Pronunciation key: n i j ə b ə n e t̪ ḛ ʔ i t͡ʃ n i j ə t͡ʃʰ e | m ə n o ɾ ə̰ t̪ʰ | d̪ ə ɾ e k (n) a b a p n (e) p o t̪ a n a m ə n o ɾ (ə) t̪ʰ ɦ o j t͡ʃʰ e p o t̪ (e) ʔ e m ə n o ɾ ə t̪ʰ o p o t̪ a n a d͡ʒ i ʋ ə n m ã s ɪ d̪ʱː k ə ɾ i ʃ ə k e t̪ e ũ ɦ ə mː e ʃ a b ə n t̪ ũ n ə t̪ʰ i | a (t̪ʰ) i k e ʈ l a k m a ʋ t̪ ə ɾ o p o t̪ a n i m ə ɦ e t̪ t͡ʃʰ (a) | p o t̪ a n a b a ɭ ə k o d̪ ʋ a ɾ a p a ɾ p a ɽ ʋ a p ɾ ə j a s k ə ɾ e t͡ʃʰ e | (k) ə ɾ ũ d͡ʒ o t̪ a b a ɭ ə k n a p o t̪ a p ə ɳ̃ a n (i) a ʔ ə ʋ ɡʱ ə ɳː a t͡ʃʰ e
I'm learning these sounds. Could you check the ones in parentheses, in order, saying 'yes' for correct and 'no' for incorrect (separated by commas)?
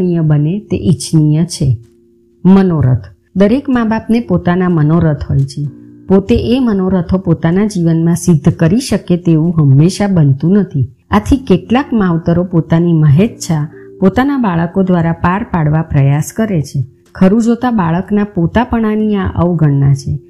no, yes, yes, yes, yes, yes, no, yes